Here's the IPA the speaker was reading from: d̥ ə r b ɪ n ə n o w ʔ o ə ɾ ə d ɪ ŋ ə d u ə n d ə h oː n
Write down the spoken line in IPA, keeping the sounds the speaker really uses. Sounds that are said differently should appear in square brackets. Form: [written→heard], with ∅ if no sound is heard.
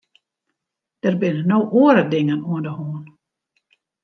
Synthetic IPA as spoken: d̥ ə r b ɪ n ə n o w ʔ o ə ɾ ə d ɪ ŋ ə [d→n] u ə n d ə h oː n